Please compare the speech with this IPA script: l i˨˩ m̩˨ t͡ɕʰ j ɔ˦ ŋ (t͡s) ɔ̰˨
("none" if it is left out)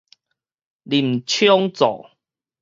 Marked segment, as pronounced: t͡s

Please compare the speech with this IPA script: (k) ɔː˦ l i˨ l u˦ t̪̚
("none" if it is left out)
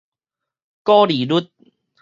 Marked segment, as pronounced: k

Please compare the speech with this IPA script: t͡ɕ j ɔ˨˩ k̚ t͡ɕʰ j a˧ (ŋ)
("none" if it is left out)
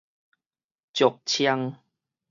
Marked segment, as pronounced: ŋ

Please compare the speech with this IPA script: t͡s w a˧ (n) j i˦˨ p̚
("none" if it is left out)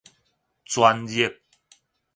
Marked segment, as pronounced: n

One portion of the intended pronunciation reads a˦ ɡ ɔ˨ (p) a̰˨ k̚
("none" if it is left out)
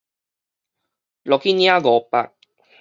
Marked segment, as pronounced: p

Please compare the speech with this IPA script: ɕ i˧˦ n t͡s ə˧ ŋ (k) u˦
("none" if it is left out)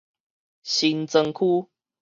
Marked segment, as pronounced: kʰ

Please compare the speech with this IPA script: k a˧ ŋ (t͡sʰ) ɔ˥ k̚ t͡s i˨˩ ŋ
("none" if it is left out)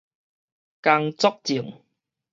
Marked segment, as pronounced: t͡s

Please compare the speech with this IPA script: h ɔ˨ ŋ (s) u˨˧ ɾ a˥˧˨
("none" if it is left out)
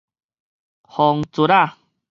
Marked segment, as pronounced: t͡s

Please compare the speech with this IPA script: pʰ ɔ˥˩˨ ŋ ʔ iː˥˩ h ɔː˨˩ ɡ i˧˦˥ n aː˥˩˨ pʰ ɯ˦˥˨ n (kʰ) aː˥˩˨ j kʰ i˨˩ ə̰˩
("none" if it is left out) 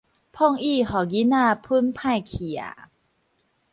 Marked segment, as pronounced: pʰ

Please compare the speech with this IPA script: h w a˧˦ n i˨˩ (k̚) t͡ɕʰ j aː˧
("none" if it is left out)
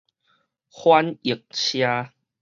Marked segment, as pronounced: k̚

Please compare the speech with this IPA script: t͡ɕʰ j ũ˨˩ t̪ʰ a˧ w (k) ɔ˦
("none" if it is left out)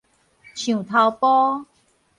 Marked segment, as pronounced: p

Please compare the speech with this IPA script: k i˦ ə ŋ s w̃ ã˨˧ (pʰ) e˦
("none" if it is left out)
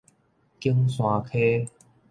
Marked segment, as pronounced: kʰ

